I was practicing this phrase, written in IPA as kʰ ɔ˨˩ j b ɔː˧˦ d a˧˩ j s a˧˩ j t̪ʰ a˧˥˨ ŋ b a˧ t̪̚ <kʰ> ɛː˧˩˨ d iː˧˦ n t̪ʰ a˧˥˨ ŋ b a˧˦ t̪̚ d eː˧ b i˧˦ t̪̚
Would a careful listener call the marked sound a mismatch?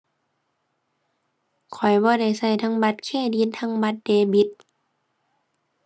no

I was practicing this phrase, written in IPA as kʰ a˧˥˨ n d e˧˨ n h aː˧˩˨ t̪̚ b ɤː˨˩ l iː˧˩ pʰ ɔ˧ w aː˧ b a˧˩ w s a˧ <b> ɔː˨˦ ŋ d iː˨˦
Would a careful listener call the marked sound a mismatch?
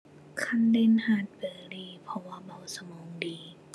yes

